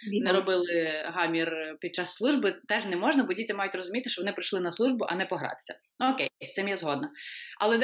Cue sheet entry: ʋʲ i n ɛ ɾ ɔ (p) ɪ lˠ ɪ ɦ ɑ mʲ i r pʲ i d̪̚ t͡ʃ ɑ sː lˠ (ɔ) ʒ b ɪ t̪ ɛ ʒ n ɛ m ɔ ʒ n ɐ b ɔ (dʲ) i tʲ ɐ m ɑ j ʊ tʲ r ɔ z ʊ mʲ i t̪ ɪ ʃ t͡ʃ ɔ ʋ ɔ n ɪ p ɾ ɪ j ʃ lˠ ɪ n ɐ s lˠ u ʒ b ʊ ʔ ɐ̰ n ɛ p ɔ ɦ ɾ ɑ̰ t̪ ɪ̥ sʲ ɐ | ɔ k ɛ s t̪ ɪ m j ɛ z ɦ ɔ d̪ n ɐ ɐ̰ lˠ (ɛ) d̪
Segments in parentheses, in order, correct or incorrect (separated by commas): incorrect, incorrect, correct, correct